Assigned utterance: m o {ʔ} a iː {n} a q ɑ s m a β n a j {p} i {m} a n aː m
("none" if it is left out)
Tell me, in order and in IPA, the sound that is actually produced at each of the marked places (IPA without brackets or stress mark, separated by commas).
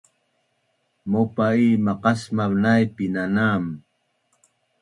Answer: p, m, p, n